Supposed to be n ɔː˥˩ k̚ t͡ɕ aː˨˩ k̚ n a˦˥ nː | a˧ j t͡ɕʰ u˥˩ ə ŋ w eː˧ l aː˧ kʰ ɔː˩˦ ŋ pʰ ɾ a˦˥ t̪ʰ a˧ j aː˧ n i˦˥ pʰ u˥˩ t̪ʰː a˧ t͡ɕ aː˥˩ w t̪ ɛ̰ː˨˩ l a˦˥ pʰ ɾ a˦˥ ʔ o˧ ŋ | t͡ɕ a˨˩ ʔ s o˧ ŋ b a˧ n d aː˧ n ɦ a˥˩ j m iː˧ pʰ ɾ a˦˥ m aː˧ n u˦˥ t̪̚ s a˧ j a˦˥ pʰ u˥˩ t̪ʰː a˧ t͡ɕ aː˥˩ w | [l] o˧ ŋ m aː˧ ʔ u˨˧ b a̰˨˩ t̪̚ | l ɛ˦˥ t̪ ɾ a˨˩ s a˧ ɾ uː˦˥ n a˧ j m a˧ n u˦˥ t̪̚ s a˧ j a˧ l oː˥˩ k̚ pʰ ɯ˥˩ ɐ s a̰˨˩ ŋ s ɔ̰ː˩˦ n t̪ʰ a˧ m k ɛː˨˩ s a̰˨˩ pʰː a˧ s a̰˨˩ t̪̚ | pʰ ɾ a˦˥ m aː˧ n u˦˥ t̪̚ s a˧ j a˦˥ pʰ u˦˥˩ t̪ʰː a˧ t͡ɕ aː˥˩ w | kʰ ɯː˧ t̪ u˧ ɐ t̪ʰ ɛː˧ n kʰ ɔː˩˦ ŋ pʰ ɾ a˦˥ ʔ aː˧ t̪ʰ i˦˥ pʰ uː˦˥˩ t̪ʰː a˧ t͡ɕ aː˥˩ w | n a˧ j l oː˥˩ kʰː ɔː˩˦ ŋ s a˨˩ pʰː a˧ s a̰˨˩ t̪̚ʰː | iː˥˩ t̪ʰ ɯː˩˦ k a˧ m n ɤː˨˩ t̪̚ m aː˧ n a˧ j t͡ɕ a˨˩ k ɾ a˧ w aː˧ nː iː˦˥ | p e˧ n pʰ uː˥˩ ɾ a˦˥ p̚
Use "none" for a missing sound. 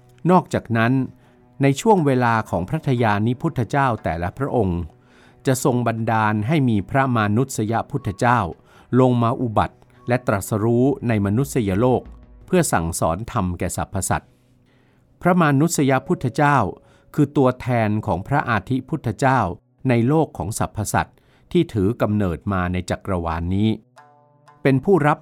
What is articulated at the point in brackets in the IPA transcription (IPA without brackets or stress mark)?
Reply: l